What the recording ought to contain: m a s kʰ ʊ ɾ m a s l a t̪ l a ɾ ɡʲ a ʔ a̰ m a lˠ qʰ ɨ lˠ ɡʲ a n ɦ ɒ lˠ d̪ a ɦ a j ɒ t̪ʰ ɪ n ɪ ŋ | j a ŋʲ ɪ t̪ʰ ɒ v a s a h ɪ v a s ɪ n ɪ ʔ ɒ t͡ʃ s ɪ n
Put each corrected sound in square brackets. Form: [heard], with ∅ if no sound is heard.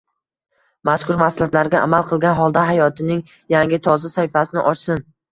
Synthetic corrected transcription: m a s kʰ ʊ ɾ m a s l a t̪ l a ɾ ɡʲ a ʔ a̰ m a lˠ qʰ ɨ lˠ ɡʲ a n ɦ ɒ lˠ d̪ a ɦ a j ɒ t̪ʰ ɪ n ɪ ŋ | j a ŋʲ ɪ t̪ʰ ɒ [z] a s a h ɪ [f] a s ɪ n ɪ ʔ ɒ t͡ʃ s ɪ n